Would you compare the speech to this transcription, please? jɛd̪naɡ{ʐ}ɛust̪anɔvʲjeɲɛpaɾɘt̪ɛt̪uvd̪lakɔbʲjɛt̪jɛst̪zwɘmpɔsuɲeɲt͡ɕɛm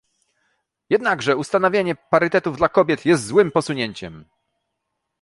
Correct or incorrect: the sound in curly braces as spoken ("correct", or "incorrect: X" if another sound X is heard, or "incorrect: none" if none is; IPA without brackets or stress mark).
correct